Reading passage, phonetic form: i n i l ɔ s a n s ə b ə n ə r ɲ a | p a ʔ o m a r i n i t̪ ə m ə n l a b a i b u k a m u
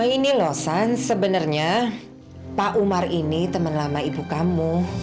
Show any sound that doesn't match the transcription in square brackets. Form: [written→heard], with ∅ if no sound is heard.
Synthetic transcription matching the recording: i n i l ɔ s a n s ə b ə n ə r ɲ a | p a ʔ [o→u] m a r i n i t̪ ə m ə n l a [b→m] a i b u k a m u